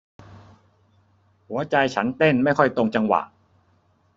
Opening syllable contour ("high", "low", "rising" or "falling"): rising